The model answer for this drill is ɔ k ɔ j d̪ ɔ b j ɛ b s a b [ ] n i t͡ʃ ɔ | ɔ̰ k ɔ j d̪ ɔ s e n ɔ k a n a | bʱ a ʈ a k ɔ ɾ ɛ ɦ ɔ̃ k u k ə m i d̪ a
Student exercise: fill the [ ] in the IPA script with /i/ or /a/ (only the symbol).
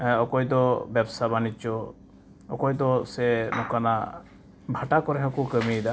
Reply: a